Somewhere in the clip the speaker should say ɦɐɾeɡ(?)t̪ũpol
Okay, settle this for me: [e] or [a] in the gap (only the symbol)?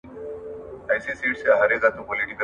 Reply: a